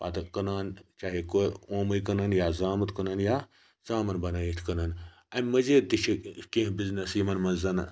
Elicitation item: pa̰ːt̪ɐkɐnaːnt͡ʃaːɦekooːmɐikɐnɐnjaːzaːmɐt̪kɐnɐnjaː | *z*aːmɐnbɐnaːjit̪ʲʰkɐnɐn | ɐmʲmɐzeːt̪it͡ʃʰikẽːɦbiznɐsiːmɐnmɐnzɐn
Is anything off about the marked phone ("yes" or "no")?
no